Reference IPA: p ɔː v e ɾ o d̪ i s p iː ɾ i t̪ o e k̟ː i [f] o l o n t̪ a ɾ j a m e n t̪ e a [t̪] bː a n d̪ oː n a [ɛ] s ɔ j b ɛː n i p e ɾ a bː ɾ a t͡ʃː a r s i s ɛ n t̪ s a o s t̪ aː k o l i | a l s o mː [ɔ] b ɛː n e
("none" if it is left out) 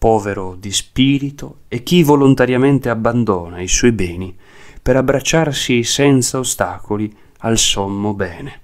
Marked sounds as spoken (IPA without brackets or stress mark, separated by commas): v, none, i, o